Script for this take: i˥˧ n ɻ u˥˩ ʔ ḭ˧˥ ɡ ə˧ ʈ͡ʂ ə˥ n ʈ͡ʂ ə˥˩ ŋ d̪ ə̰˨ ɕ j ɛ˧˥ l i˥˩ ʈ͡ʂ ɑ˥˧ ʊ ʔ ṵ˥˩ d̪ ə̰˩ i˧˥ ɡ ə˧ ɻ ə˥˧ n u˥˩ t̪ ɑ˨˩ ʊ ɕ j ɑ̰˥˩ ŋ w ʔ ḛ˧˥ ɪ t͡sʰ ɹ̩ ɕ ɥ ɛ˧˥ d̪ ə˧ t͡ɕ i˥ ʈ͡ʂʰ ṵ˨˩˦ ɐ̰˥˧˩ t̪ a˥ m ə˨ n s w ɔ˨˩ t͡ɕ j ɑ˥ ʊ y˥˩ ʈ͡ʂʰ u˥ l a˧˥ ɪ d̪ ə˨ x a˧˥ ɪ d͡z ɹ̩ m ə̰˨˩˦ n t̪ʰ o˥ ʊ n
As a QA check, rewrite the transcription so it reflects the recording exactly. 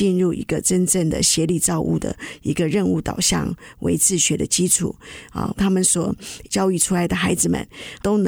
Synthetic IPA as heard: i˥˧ n ɻ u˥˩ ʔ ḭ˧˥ ɡ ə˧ ʈ͡ʂ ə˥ n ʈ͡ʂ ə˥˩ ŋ d̪ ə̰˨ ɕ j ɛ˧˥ l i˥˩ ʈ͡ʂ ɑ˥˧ ʊ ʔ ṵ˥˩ d̪ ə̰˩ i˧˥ ɡ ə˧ ɻ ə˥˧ n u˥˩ t̪ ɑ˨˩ ʊ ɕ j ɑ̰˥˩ ŋ w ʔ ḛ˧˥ ɪ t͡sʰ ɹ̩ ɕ ɥ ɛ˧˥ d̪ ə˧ t͡ɕ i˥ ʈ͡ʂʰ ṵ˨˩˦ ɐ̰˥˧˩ t̪ʰ a˥ m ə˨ n s w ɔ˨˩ t͡ɕ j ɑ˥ ʊ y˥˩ ʈ͡ʂʰ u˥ l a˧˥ ɪ d̪ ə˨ x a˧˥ ɪ d͡z ɹ̩ m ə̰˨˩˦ n t̪ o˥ ʊ n